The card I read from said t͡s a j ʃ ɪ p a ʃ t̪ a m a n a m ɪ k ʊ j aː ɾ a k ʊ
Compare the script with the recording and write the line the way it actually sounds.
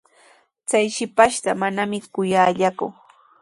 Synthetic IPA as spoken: t͡s a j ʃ ɪ p a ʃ t̪ a m a n a m ɪ k ʊ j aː ʎ a k ʊ